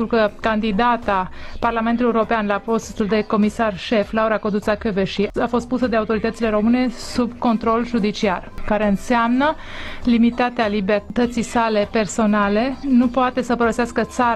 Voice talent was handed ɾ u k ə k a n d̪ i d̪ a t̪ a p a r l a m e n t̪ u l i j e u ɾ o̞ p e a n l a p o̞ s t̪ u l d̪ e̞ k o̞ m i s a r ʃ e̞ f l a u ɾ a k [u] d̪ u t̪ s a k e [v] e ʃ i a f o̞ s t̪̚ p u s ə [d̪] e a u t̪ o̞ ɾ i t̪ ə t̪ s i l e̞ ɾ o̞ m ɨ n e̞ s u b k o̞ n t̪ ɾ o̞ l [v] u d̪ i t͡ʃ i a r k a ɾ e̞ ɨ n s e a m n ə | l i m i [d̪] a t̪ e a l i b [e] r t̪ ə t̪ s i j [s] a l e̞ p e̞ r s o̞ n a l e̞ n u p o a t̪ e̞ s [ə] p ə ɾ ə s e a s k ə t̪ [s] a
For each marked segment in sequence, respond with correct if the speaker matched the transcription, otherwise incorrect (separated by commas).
incorrect, correct, correct, incorrect, incorrect, correct, correct, correct, correct